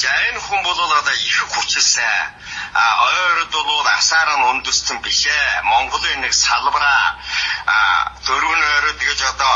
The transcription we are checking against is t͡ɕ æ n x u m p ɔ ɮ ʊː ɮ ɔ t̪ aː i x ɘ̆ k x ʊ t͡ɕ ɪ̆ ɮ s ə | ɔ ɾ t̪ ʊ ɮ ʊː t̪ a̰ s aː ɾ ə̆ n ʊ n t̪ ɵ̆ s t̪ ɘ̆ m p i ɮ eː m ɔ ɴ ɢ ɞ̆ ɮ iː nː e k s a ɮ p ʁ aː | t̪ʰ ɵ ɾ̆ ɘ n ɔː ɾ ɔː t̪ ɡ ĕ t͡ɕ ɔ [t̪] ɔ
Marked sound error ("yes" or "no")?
no